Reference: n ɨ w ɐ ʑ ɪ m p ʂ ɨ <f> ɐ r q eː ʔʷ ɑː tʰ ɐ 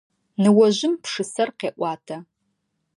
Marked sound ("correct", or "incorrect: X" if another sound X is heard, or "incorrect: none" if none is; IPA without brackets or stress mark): incorrect: s